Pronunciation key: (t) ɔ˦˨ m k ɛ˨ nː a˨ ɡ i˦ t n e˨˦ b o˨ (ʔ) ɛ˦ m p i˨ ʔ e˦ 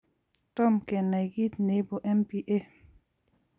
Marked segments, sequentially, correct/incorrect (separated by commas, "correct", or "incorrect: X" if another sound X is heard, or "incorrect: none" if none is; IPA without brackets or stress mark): correct, correct